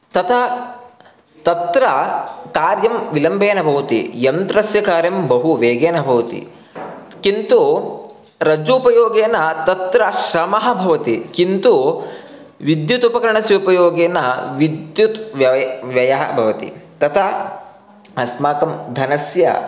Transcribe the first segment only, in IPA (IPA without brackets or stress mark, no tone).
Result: t̪